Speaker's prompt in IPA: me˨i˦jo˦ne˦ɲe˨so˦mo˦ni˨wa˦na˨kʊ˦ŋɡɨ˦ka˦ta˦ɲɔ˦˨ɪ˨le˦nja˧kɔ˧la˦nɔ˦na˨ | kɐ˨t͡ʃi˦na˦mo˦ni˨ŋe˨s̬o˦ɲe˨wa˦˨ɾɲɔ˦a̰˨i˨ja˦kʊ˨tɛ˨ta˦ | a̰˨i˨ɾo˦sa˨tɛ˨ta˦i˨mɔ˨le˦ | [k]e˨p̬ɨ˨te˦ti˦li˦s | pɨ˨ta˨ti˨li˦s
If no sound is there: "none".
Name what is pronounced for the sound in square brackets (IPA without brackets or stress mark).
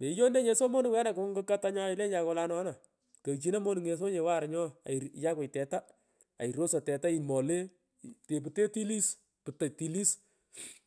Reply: t